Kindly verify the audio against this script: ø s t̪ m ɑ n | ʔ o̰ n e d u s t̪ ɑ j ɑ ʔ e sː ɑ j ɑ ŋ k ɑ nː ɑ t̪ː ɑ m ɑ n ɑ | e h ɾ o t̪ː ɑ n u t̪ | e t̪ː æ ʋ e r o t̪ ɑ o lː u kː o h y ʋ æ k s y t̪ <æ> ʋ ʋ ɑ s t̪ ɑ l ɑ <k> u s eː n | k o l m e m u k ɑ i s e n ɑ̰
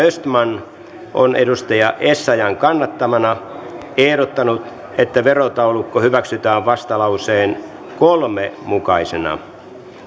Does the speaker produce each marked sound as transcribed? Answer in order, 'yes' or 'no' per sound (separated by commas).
no, no